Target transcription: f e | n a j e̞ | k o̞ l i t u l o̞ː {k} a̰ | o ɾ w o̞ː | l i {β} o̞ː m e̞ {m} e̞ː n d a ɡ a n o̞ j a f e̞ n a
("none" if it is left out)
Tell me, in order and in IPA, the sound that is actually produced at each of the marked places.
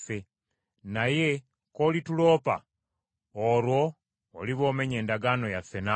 p, β, ɲ

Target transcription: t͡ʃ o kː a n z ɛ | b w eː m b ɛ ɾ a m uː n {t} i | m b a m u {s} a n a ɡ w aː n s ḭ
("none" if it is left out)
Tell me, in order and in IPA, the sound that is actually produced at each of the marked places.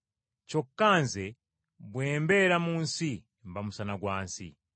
s, s

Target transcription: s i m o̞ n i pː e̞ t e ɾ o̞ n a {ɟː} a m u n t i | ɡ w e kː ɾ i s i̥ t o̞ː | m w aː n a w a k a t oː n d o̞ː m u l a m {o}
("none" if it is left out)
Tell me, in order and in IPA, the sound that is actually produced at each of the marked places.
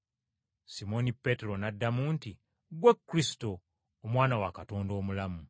dː, u

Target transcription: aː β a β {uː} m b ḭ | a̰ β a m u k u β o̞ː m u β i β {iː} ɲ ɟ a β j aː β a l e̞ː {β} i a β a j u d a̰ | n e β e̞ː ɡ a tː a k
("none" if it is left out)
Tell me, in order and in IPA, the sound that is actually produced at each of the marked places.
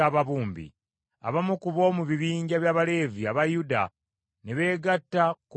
uː, iː, v

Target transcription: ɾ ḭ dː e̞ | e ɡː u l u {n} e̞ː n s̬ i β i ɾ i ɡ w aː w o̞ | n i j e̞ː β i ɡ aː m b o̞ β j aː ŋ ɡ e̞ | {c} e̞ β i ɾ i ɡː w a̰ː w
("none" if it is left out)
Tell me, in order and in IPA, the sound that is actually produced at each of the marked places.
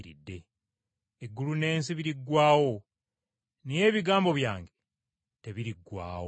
n, t

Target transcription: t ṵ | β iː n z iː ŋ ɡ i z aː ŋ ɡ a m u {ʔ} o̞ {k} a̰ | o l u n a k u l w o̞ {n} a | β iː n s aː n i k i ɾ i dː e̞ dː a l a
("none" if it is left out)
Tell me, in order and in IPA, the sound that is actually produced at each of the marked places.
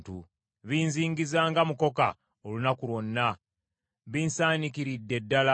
k, k, nː

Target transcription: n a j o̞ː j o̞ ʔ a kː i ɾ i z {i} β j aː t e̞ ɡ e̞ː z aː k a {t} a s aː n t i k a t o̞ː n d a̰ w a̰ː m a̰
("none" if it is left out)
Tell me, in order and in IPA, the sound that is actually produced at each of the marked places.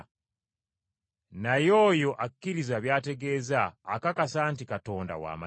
a, k

